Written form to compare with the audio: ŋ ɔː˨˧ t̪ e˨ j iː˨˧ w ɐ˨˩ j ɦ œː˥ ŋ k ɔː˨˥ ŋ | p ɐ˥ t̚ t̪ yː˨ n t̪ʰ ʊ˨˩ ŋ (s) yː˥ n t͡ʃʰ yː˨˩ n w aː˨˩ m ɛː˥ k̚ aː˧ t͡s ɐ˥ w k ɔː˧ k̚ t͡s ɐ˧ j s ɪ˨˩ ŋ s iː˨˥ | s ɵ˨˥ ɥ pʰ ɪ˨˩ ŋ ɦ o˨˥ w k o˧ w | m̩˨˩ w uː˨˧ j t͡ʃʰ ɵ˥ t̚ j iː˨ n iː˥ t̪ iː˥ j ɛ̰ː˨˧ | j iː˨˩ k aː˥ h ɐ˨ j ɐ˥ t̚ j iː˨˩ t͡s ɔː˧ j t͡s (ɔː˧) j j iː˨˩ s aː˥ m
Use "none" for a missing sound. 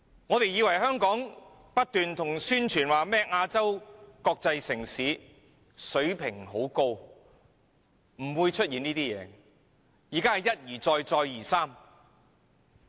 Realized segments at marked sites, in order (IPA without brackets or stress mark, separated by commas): s, ɔː˧